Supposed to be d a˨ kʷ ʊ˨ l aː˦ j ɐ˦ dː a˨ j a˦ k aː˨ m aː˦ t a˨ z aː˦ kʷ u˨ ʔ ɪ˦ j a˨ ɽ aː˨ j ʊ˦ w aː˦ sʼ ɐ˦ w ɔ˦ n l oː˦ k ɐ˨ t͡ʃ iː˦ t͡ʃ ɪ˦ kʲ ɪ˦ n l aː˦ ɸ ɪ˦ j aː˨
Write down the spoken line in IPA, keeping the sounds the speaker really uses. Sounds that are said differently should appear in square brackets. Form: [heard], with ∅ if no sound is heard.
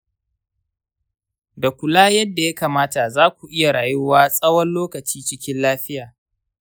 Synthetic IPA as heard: d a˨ kʷ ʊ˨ l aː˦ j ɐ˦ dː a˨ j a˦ k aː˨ m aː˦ t a˨ z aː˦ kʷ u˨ ʔ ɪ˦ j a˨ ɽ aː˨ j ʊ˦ w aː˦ sʼ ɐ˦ w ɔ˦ n l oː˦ k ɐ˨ t͡ʃ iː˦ t͡ʃ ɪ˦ kʲ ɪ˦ n l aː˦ ɸ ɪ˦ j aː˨